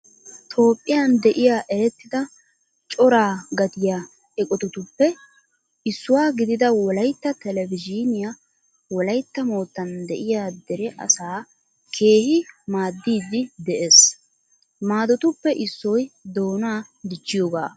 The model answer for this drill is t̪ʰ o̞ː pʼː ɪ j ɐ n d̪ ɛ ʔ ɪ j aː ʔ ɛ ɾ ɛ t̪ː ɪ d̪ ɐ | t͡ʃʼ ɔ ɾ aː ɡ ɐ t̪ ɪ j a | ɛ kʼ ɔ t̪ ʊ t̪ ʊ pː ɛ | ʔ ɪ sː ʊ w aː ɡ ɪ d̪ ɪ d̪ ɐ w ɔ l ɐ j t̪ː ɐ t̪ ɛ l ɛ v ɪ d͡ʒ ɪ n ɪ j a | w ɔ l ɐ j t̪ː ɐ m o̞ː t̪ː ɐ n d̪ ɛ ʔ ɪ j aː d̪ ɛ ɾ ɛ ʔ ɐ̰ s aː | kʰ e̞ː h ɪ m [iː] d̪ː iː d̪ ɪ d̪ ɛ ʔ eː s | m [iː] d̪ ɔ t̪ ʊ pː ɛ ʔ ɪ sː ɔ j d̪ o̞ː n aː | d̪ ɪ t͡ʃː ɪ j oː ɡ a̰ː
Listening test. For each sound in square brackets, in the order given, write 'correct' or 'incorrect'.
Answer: incorrect: aː, incorrect: aː

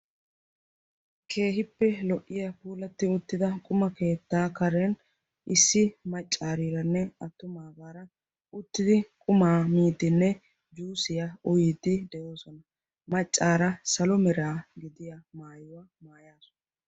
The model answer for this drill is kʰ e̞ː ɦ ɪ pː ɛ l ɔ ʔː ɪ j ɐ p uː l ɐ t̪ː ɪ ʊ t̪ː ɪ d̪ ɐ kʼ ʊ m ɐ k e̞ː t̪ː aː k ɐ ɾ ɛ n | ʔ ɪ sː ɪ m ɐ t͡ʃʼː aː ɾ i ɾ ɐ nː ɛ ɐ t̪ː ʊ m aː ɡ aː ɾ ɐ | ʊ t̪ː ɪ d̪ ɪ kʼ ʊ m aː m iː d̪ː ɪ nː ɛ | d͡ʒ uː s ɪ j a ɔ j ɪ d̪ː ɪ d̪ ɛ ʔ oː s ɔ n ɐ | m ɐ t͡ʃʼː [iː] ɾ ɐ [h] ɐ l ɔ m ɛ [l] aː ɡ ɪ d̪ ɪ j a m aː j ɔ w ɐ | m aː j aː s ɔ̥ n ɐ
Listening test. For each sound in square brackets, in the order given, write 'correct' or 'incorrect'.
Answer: incorrect: aː, incorrect: s, incorrect: ɾ

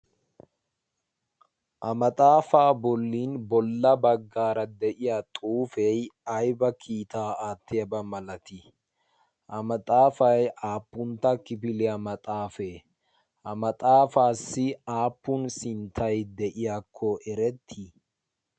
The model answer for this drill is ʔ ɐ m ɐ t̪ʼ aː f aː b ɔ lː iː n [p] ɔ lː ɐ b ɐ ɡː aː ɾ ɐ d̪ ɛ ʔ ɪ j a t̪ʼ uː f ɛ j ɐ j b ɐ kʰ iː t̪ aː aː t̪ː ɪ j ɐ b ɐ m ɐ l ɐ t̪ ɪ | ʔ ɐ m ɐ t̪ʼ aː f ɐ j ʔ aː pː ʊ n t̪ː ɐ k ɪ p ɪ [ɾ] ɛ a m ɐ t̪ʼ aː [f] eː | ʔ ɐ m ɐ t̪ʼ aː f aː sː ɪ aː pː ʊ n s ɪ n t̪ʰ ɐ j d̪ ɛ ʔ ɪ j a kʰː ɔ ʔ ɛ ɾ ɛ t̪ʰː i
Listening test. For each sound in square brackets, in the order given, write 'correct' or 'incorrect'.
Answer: incorrect: b, incorrect: l, correct

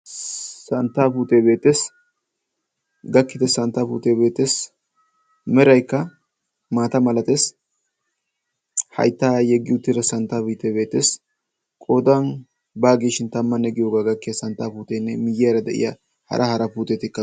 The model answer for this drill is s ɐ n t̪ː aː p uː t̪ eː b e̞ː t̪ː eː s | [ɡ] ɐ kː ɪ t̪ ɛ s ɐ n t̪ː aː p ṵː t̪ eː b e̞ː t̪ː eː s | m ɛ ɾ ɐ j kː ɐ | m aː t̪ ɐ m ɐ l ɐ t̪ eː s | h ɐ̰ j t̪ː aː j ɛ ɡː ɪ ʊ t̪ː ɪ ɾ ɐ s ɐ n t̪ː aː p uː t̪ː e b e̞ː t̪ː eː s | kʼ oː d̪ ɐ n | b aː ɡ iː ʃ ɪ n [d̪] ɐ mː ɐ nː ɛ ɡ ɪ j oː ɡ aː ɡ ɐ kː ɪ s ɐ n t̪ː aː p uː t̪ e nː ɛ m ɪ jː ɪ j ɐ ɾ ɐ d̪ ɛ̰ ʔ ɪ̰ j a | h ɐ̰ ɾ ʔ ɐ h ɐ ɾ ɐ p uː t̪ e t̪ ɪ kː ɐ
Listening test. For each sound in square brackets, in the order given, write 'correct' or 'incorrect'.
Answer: correct, incorrect: t̪

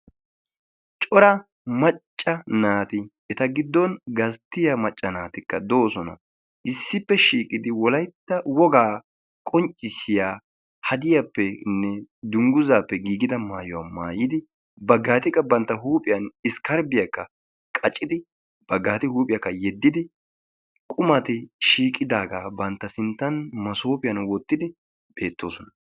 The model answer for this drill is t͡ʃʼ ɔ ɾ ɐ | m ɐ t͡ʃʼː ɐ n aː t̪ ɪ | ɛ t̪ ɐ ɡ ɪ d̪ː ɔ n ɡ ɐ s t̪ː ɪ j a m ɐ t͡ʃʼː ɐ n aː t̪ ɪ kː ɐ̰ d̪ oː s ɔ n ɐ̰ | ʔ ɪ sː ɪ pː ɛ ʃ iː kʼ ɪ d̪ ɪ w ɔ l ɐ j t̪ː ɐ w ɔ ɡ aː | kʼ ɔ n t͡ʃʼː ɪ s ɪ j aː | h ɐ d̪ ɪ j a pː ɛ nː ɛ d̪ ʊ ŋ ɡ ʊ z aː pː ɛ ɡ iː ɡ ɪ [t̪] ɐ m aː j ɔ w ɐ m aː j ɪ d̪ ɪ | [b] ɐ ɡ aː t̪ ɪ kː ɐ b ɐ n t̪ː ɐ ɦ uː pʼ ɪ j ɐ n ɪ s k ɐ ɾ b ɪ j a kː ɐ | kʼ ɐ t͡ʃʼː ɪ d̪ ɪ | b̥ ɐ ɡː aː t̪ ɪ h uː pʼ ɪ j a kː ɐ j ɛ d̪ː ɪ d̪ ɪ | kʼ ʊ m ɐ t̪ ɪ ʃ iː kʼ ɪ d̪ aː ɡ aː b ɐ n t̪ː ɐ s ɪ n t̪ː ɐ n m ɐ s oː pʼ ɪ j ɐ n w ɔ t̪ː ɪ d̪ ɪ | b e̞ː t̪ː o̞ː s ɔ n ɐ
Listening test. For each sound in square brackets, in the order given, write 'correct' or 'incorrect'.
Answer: incorrect: d̪, correct

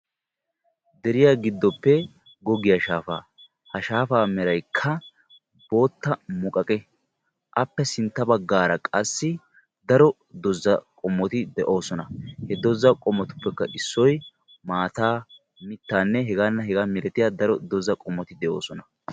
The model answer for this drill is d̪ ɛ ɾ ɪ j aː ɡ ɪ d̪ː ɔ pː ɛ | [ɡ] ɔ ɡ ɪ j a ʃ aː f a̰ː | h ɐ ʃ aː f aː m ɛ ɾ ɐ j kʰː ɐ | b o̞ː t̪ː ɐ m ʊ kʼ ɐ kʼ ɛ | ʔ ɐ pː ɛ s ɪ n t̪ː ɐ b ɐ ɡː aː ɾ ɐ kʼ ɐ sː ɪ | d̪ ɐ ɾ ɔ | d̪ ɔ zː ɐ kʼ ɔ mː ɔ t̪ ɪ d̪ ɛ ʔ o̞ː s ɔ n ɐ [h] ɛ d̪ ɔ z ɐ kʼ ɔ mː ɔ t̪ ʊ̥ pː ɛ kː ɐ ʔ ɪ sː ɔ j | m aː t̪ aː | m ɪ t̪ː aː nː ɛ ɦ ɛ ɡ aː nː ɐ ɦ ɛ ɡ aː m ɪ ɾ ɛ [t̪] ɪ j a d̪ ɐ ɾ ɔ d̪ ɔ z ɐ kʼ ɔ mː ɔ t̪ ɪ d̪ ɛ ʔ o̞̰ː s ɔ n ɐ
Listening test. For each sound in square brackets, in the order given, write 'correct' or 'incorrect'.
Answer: correct, correct, correct

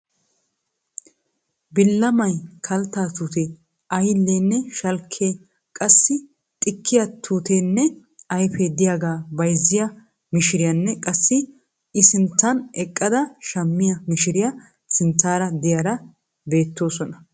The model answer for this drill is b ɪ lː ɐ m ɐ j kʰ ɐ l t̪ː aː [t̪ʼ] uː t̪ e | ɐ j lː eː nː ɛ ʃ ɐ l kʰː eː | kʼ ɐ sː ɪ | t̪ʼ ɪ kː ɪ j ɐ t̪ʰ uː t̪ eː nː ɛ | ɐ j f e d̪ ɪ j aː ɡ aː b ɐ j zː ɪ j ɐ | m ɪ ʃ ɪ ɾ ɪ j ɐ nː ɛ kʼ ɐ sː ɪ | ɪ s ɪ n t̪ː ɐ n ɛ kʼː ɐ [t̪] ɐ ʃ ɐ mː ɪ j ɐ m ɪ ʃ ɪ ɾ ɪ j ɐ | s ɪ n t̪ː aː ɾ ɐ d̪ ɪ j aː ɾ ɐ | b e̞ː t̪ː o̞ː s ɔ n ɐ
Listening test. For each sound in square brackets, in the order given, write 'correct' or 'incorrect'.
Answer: incorrect: t̪, incorrect: d̪

